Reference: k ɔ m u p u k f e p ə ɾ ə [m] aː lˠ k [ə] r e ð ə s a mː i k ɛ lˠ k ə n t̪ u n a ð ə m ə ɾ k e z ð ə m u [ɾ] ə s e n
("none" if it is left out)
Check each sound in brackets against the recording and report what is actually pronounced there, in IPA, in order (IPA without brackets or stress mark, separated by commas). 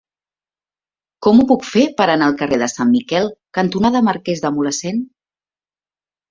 n, ə, l